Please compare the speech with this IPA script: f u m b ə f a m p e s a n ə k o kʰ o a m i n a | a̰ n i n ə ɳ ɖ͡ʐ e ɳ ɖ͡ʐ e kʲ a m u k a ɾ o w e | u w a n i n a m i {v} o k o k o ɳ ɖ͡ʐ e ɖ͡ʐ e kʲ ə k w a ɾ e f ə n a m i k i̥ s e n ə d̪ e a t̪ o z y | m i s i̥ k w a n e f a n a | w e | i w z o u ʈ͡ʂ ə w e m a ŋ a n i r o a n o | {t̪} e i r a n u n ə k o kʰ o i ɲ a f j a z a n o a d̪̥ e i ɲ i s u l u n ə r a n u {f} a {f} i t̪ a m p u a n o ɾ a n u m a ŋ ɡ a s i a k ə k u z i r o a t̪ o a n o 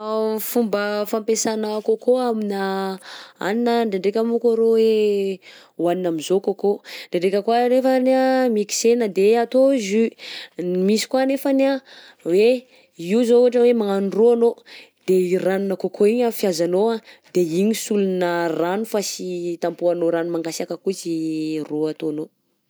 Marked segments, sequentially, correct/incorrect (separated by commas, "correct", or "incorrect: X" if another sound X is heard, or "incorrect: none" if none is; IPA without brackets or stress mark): incorrect: z, incorrect: d̪, correct, incorrect: s